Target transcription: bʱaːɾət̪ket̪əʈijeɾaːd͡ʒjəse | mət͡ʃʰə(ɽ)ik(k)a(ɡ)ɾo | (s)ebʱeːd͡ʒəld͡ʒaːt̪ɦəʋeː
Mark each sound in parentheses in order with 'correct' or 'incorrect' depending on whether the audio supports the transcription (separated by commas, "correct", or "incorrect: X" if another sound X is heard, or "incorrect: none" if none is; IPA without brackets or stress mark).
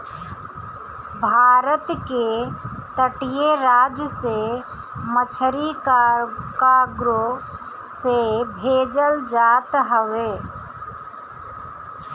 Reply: incorrect: ɾ, correct, correct, correct